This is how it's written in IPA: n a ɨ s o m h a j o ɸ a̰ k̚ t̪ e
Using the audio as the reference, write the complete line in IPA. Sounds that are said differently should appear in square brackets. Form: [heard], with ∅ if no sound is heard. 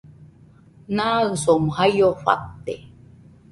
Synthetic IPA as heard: n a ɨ s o m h a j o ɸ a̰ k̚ t̪ e